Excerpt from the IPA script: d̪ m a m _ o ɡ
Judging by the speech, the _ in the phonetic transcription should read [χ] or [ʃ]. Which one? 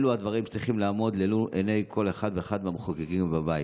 χ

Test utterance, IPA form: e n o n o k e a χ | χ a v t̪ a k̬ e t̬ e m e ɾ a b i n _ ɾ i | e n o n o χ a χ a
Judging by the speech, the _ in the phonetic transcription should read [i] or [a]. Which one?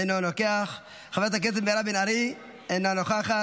a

